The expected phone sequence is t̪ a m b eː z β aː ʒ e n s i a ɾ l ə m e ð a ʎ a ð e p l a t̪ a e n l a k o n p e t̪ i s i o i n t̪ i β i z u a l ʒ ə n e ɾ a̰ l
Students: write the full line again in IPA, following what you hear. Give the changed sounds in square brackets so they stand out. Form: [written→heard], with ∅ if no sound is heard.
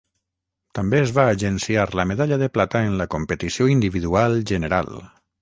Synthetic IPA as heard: t̪ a m b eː z β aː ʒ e n s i a ɾ l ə m e ð a ʎ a ð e p l a t̪ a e n l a k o [n→m] p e t̪ i s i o i n [t̪→d̪] i β i [z→ð] u a l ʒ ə n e ɾ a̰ l